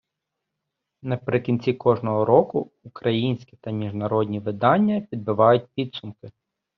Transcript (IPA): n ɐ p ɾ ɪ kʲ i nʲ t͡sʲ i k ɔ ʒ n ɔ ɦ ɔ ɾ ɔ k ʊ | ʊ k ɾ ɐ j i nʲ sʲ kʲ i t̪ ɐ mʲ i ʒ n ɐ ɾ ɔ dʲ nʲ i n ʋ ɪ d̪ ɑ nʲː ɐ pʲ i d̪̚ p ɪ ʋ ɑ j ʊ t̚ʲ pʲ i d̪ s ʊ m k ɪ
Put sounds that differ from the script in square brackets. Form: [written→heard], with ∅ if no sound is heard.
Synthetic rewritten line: n ɐ p ɾ ɪ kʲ i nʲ t͡sʲ i k ɔ ʒ n ɔ ɦ ɔ ɾ ɔ k ʊ | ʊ k ɾ ɐ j i nʲ sʲ kʲ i t̪ ɐ mʲ i ʒ n ɐ ɾ ɔ dʲ nʲ i [n→∅] ʋ ɪ d̪ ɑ nʲː ɐ pʲ i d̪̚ [p→b] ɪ ʋ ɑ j ʊ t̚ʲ pʲ i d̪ s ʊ m k ɪ